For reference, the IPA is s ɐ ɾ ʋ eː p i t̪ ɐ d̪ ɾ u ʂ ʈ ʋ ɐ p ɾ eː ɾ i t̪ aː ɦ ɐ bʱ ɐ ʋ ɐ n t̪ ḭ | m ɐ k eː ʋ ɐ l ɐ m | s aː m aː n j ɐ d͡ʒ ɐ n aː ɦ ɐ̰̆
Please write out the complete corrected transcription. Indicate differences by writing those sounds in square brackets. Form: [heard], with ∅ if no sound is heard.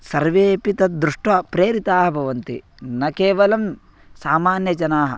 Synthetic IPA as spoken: s ɐ ɾ ʋ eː p i t̪ ɐ d̪ ɾ u ʂ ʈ ʋ ɐ p ɾ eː ɾ i t̪ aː ɦ ɐ bʱ ɐ ʋ ɐ n t̪ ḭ | [n] ɐ k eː ʋ ɐ l ɐ m | s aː m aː n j ɐ d͡ʒ ɐ n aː ɦ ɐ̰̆